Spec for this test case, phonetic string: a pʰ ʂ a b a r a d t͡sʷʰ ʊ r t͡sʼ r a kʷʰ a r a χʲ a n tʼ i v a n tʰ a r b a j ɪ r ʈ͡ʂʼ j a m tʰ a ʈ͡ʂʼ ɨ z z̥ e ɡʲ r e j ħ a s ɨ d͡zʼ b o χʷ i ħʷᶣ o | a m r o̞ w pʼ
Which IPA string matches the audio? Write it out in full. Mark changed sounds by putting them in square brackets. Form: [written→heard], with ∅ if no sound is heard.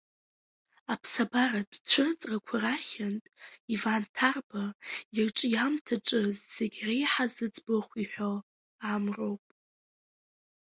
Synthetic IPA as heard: a pʰ [ʂ→s] a b a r a d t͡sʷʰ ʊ r t͡sʼ r a kʷʰ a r a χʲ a n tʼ i v a n tʰ a r b a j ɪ r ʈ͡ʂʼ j a m tʰ a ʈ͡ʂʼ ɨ z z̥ e ɡʲ r e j ħ a [s→z] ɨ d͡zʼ b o χʷ i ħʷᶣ o | a m r o̞ w pʼ